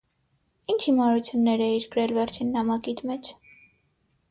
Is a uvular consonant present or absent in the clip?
absent